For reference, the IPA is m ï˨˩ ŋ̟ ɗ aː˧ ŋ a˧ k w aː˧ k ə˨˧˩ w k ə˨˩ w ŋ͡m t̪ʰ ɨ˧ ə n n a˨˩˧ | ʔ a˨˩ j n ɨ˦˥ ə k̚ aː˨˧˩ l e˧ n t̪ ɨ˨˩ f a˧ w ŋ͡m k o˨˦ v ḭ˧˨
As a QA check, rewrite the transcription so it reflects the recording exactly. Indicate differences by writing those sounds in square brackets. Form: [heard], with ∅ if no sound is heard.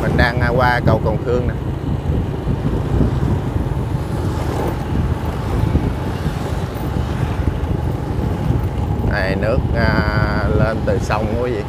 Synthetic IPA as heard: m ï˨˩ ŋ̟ ɗ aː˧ ŋ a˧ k w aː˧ k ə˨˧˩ w k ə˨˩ w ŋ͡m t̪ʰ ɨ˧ ə [ŋ] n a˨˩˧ | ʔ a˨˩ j n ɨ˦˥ ə k̚ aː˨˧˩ l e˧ n t̪ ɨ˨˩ [s] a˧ w ŋ͡m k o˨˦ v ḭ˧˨